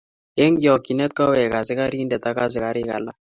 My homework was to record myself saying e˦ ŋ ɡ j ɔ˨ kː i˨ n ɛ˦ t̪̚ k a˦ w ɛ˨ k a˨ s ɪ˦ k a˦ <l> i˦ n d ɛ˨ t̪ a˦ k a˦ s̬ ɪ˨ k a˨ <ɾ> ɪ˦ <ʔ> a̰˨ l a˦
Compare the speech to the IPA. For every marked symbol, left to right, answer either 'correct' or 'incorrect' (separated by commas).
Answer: incorrect, correct, incorrect